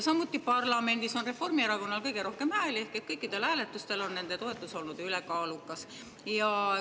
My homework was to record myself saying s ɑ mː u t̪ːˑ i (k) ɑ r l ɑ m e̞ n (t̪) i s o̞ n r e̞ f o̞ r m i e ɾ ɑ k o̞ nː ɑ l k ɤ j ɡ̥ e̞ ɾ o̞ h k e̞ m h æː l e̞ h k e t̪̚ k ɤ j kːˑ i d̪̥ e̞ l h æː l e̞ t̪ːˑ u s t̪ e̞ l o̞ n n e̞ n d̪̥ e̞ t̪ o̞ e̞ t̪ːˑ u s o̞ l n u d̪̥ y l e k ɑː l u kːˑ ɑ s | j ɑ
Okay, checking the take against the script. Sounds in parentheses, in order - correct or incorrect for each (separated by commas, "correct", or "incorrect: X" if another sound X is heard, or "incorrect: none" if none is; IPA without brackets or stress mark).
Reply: incorrect: p, incorrect: d̪